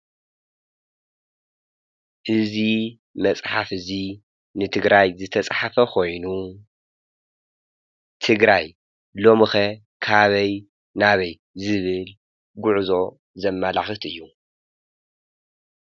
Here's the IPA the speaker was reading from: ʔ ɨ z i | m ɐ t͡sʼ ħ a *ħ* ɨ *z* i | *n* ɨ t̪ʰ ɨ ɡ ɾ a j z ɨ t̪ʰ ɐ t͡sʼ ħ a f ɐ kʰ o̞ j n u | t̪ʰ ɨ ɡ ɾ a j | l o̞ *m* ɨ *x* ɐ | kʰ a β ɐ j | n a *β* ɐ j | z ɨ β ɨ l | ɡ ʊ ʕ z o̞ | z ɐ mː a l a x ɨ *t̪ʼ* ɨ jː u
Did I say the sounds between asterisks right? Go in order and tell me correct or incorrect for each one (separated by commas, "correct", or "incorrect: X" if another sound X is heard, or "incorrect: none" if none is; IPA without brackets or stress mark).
incorrect: f, correct, correct, correct, correct, correct, incorrect: t̪